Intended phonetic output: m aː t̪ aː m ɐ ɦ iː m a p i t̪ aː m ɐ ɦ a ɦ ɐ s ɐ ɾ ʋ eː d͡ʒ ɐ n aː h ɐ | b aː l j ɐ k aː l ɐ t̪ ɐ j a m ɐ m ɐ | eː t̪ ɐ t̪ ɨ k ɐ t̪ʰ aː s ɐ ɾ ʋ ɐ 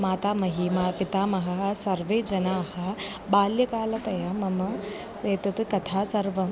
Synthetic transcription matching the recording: m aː t̪ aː m ɐ ɦ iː m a p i t̪ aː m ɐ ɦ ɐ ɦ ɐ s ɐ ɾ ʋ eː d͡ʒ ɐ n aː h ɐ | b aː l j ɐ k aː l ɐ t̪ ɐ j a m ɐ m ɐ | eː t̪ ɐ t̪ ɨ k ɐ t̪ʰ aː s ɐ ɾ ʋ ɐ

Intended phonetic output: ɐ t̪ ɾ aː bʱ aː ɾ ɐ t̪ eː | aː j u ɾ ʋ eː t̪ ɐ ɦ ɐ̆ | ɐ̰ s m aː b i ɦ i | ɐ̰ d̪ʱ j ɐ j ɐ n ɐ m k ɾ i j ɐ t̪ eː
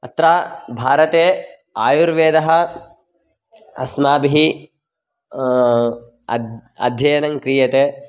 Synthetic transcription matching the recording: ɐ t̪ ɾ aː bʱ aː ɾ ɐ t̪ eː | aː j u ɾ ʋ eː d̪ ɐ ɦ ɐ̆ | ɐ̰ s m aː b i ɦ i | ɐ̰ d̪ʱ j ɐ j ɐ n ɐ ŋ k ɾ i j ɐ t̪ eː

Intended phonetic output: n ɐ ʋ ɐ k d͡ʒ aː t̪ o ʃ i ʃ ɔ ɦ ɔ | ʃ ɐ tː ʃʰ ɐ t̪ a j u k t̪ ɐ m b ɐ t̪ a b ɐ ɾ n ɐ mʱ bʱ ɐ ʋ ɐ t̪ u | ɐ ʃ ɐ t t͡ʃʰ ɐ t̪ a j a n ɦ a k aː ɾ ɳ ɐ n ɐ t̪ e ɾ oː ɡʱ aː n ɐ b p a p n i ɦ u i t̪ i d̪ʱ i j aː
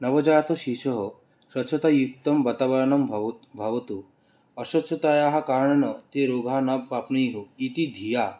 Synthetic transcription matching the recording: n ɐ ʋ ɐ d͡ʒ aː t̪ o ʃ i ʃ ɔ ɦ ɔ | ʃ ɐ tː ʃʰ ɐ t̪ a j u k t̪ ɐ m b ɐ t̪ a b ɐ ɾ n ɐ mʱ bʱ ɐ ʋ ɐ t̪ u | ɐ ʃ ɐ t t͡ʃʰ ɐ t̪ a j a ɦ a k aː ɾ ɳ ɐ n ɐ t̪ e ɾ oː ɡʱ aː n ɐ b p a p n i ɦ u i t̪ i d̪ʱ i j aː

